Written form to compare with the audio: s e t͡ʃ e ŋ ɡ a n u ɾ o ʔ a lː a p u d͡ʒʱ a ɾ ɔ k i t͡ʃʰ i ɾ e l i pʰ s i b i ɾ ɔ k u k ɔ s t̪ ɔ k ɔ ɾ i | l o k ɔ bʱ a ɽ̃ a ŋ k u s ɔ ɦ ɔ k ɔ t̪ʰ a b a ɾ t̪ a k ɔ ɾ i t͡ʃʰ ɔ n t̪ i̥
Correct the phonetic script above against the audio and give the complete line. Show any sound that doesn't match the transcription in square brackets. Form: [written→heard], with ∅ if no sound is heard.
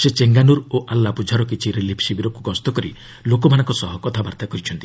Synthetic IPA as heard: s e t͡ʃ e ŋ ɡ a n u ɾ o ʔ a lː a p u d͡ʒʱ a ɾ ɔ k i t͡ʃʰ i ɾ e l i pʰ s i b i ɾ ɔ k u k ɔ s t̪ ɔ k ɔ ɾ i | l o k ɔ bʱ a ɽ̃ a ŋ k [u→ɔ] s ɔ ɦ ɔ k ɔ t̪ʰ a b a ɾ t̪ a k ɔ ɾ i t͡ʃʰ ɔ n t̪ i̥